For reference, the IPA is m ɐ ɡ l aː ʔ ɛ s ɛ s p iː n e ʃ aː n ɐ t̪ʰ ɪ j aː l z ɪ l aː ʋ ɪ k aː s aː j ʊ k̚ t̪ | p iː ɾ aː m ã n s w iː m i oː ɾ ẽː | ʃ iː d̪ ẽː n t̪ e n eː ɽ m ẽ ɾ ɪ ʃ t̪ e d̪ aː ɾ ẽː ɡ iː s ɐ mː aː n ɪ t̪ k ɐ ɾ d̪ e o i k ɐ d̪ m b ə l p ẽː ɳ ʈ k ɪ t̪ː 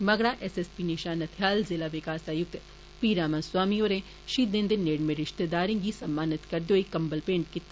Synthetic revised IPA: m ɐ ɡ ɽ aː ʔ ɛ s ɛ s p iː n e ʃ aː n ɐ t̪ʰ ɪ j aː l z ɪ l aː ʋ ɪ k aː s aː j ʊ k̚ t̪ | p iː ɾ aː m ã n s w aː m i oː ɾ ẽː | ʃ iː d̪ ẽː n d̪ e n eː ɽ m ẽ ɾ ɪ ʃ t̪ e d̪ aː ɾ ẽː ɡ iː s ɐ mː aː n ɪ t̪ k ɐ ɾ d̪ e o i k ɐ m b ə l p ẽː ɳ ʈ k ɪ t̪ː